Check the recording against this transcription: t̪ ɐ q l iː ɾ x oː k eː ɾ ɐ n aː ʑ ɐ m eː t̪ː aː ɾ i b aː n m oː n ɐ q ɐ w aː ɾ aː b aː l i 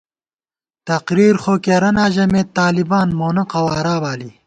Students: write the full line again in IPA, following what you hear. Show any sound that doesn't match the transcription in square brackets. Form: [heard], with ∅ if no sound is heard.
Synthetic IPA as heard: t̪ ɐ q [ɾ] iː ɾ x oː k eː ɾ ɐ n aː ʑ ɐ m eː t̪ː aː [l] i b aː n m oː n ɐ q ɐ w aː ɾ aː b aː l i